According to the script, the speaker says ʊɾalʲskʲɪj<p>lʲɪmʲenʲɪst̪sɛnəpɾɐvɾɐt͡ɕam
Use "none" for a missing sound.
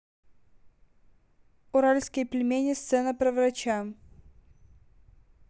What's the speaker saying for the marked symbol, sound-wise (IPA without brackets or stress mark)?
p